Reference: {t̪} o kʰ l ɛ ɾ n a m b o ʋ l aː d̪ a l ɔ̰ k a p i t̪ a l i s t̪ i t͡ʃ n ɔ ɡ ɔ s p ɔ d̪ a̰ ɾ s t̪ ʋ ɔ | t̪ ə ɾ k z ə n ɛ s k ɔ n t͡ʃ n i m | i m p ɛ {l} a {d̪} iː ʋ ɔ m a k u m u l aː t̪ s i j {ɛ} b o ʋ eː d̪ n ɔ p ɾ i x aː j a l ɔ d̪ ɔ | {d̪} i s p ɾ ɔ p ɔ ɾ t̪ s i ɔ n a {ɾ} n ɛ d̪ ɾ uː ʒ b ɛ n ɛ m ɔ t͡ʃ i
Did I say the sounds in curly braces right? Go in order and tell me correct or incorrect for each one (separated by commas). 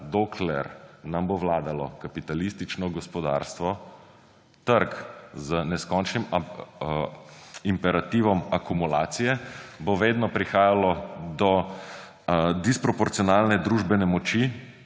incorrect, incorrect, incorrect, correct, correct, incorrect